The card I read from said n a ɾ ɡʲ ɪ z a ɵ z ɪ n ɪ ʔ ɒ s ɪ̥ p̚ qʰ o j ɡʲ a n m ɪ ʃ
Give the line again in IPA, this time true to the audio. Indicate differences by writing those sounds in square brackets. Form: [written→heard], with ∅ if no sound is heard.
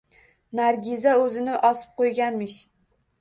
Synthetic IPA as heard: n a ɾ ɡʲ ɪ z a ɵ z ɪ n ɪ ʔ ɒ s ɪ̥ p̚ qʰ o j ɡʲ a n m ɪ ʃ